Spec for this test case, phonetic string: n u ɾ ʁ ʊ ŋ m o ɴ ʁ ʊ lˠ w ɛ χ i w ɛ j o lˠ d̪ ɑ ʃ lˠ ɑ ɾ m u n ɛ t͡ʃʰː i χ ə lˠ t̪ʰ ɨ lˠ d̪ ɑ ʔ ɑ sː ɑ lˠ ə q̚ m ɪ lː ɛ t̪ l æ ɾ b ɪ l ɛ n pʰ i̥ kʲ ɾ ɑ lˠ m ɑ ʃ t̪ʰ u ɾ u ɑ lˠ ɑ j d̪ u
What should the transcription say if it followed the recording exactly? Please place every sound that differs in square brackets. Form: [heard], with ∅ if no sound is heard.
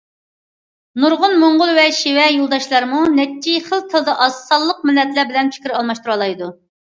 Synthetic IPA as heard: n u ɾ ʁ ʊ [n] m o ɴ ʁ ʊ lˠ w ɛ [ʃ] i w ɛ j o lˠ d̪ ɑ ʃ lˠ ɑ ɾ m u n ɛ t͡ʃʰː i χ ə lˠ t̪ʰ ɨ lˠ d̪ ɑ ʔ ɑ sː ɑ [lˠː] ə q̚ m ɪ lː ɛ t̪ l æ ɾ b ɪ l ɛ n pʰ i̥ kʲ ɾ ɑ lˠ m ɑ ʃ [t̪] u ɾ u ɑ lˠ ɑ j d̪ u